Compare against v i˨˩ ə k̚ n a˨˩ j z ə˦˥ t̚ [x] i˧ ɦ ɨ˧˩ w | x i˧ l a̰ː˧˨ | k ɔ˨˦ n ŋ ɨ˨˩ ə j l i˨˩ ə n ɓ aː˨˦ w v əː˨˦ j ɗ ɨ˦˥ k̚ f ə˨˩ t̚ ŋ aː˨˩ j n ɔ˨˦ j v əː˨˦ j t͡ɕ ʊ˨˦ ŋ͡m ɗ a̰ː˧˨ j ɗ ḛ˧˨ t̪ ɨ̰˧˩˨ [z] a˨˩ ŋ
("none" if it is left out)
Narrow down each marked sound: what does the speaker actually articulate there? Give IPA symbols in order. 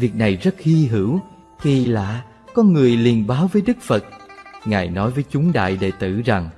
h, z

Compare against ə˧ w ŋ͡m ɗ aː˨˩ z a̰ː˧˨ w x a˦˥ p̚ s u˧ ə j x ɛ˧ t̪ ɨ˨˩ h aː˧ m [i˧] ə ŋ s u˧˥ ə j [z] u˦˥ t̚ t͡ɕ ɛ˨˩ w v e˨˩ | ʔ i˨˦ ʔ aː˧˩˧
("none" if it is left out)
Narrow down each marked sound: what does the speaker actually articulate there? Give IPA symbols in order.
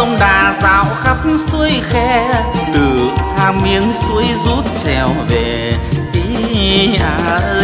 i˧, z

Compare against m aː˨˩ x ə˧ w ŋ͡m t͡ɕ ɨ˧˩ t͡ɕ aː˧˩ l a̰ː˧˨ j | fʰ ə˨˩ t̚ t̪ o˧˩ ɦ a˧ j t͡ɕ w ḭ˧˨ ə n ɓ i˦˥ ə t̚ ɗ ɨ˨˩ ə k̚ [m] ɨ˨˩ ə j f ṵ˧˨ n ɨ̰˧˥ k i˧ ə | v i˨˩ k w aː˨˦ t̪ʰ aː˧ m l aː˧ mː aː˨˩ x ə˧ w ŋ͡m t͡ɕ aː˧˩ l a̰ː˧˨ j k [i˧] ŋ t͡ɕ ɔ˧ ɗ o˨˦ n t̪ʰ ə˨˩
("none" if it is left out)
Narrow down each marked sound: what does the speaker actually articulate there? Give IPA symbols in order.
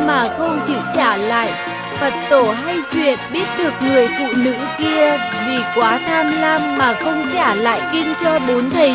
ŋ, i˧

